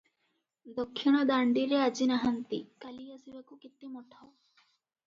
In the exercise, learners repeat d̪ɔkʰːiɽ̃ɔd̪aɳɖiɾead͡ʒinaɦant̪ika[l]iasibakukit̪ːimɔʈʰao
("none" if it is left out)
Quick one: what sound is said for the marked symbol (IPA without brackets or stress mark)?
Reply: l